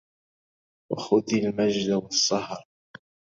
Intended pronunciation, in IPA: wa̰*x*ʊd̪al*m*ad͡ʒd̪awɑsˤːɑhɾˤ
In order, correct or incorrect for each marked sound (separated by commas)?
correct, correct